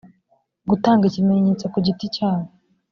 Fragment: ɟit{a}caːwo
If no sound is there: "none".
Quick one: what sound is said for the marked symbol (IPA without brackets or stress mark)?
i